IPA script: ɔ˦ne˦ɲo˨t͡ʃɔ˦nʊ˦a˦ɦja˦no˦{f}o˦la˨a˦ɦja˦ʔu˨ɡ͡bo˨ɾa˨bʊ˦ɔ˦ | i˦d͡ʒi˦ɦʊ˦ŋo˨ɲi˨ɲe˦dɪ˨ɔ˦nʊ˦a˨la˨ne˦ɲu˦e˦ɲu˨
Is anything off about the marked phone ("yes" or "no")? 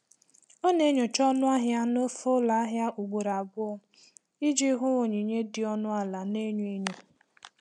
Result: no